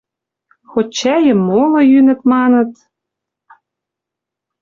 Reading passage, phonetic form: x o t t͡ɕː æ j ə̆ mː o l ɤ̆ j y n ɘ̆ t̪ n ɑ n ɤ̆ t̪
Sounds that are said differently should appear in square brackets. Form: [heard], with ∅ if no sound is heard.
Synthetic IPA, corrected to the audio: x o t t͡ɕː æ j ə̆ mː o l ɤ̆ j y n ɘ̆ t̪ [m] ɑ n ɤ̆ t̪